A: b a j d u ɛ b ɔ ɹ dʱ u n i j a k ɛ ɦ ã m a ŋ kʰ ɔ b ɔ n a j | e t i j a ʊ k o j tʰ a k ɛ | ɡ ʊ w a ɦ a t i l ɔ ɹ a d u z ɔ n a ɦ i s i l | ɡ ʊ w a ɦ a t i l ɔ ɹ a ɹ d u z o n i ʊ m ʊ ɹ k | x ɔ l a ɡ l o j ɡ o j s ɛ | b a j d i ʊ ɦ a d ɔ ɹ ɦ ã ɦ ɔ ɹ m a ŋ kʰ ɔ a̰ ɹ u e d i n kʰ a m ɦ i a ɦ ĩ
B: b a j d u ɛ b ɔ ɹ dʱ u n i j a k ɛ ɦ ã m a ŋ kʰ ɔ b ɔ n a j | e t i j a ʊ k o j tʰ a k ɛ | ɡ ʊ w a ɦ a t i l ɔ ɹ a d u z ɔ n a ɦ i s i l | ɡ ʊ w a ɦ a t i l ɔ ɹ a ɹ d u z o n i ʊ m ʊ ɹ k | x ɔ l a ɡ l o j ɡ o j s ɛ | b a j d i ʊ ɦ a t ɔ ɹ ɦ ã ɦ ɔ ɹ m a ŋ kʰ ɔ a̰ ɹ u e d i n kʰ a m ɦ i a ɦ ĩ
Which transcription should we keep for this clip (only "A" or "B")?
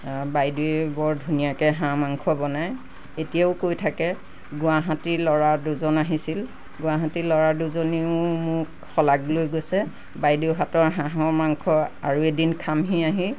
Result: B